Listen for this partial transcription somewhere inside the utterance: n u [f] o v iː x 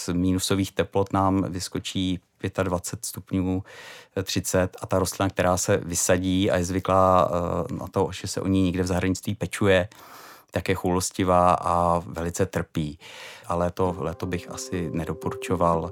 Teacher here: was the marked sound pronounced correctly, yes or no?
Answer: no